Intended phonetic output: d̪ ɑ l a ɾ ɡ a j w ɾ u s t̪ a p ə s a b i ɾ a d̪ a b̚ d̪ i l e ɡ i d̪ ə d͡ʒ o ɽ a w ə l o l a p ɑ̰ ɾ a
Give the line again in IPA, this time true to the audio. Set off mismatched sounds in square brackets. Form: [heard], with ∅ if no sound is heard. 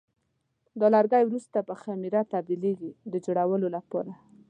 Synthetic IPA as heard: d̪ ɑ l a ɾ ɡ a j w ɾ u s t̪ a p ə [x] a [m] i ɾ a [t̪] a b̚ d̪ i l e ɡ i d̪ ə d͡ʒ o ɽ a w ə l o l a p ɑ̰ ɾ a

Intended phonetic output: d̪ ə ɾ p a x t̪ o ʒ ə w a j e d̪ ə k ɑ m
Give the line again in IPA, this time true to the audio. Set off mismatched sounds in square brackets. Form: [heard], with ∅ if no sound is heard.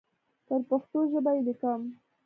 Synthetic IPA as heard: [t̪] ə ɾ p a x t̪ o ʒ ə [b] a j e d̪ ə k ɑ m

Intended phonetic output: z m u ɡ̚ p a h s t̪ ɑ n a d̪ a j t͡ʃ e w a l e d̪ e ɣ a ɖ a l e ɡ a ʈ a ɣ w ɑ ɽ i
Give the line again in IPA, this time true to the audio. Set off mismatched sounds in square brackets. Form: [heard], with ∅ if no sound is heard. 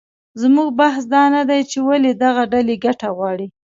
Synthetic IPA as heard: z m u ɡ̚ [b] a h s [d̪] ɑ n a d̪ a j t͡ʃ e w a l e d̪ [a] ɣ a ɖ a l e ɡ a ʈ a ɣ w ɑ ɽ i

